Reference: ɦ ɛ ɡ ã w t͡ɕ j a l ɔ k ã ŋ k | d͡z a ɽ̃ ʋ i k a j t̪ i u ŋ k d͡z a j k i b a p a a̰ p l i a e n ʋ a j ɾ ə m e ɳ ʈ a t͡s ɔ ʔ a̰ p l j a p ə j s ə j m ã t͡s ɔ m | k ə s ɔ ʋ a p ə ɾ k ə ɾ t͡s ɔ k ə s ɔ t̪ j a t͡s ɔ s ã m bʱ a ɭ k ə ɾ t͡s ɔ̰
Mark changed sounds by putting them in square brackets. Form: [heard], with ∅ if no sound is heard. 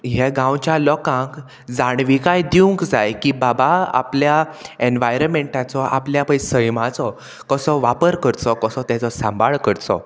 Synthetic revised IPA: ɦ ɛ ɡ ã w t͡ɕ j a l ɔ k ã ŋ k | d͡z a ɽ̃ ʋ i k a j [d̪] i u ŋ k d͡z a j k i b a [b] a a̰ p l [j] a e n ʋ a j ɾ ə m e ɳ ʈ a t͡s ɔ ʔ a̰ p l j a p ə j s ə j m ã t͡s ɔ [∅] | k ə s ɔ ʋ a p ə ɾ k ə ɾ t͡s ɔ k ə s ɔ t̪ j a t͡s ɔ s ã m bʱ a ɭ k ə ɾ t͡s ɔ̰